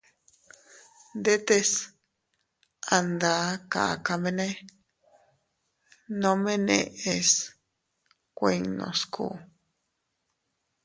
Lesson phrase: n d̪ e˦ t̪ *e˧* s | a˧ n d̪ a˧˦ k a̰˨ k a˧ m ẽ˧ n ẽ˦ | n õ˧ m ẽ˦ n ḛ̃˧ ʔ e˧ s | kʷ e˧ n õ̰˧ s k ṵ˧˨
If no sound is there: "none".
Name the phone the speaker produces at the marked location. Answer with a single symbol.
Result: e˧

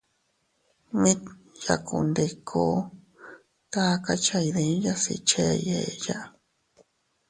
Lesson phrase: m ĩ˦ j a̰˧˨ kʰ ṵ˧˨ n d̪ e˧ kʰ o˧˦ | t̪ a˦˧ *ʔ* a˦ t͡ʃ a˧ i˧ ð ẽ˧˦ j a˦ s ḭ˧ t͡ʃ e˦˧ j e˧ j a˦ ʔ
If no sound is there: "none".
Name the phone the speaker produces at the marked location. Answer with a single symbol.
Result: k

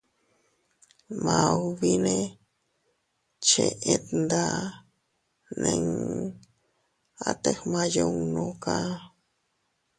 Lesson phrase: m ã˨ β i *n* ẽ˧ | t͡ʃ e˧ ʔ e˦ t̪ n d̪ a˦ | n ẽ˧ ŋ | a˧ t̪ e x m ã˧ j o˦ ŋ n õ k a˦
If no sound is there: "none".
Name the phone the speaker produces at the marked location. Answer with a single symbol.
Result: n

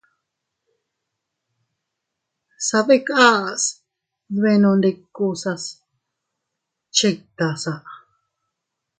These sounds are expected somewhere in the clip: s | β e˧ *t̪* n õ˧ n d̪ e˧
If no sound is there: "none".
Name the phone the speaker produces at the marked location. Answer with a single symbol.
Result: none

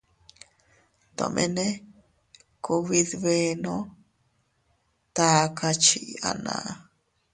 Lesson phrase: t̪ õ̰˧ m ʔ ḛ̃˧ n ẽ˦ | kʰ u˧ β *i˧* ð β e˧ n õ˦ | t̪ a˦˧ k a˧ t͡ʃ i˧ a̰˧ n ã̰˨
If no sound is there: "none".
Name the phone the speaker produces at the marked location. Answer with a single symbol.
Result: i˧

